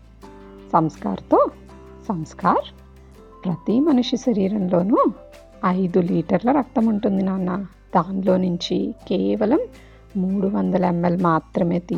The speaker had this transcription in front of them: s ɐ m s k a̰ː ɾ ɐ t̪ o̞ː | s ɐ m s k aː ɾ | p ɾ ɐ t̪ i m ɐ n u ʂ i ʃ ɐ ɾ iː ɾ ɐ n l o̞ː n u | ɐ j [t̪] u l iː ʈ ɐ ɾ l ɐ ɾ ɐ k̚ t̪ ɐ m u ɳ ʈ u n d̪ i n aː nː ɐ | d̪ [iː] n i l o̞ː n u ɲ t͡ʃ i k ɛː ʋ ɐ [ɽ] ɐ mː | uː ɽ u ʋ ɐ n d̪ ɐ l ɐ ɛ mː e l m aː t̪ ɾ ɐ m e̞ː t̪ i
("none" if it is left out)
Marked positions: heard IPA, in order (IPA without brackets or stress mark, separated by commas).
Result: d̪, aː, l